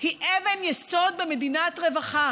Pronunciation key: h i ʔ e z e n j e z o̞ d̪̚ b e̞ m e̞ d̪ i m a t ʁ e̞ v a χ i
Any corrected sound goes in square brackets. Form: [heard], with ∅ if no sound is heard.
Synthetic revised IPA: h i ʔ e [v] e n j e [s] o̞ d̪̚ b e̞ m e̞ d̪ i [n] a t ʁ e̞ v a χ [a]